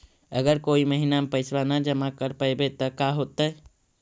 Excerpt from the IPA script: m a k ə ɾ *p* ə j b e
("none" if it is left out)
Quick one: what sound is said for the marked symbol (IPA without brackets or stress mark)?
p